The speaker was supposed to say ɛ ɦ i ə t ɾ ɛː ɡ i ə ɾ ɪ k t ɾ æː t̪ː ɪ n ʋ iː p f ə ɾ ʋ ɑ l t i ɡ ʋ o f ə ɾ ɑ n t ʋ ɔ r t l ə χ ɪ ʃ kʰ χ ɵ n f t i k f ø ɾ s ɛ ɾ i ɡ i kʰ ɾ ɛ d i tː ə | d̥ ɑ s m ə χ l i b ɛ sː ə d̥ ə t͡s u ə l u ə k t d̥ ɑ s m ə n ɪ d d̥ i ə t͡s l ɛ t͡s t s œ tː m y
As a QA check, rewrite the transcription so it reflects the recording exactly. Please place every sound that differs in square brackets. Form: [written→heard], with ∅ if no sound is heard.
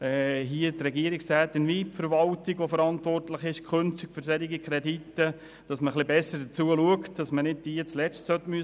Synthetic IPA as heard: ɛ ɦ i ə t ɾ [ɛː→ɛ] ɡ i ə ɾ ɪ k [t→s] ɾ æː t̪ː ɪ n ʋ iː p f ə ɾ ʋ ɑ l t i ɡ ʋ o f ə ɾ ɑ n t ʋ ɔ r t l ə χ ɪ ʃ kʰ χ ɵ n f t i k f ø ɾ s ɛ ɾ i ɡ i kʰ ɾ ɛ d i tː ə | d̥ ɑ s m ə χ l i b ɛ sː ə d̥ ə t͡s u ə l u ə k t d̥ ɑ s m ə n ɪ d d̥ i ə t͡s l ɛ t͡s t s œ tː m y